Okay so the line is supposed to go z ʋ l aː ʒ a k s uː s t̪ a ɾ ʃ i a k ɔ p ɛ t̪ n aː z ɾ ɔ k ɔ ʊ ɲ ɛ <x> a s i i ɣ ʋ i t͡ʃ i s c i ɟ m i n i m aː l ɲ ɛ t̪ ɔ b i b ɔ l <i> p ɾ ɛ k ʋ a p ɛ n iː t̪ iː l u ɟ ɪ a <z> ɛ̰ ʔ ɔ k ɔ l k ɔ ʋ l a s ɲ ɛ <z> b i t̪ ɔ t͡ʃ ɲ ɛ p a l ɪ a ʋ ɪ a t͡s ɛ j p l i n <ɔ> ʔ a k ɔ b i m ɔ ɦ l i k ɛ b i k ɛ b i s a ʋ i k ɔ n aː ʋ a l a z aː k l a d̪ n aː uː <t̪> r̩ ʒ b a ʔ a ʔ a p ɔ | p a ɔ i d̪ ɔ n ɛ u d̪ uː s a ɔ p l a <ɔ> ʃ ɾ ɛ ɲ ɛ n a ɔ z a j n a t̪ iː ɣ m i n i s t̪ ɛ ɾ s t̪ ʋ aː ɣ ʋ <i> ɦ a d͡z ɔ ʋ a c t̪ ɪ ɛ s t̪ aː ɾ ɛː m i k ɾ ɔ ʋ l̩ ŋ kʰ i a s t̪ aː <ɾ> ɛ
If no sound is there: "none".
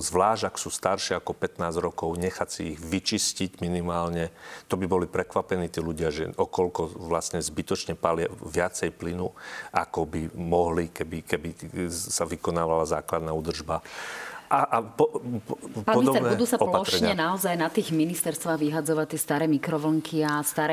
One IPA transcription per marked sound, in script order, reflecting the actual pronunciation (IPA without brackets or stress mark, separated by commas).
x, i, ʒ, z, u, d̪, ɔ, i, ɾ